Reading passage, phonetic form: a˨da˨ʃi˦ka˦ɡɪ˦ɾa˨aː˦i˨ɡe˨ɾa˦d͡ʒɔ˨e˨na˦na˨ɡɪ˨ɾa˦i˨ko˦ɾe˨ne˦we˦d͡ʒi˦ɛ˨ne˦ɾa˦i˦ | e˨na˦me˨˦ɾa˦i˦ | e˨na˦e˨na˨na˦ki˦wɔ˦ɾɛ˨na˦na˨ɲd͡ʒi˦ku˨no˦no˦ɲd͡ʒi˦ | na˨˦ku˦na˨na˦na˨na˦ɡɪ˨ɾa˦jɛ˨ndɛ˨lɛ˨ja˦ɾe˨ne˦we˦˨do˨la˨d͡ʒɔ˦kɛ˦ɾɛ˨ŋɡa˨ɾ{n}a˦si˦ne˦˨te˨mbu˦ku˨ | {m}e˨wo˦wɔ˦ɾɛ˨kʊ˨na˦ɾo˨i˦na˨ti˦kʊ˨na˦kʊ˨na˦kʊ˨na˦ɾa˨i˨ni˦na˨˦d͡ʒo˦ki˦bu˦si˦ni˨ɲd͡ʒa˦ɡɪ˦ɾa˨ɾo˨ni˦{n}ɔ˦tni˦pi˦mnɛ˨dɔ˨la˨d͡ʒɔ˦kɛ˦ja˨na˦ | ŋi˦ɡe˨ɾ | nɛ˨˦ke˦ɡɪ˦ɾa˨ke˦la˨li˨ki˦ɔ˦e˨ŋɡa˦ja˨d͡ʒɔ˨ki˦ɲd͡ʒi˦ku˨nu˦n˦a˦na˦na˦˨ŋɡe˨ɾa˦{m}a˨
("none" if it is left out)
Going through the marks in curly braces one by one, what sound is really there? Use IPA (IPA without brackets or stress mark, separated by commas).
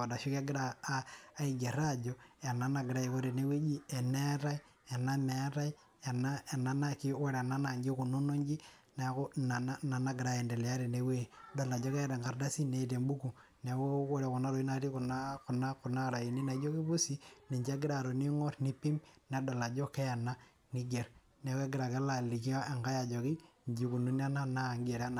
d, n, ŋ, n